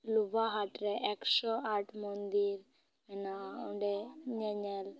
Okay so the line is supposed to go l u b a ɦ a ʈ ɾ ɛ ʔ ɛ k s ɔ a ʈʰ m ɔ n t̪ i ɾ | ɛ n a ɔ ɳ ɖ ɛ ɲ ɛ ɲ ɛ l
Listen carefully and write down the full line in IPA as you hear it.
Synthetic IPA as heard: l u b a ɦ a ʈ ɾ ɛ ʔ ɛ k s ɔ a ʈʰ m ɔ n d̪ i ɾ | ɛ n a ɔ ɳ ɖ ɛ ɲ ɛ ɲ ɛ l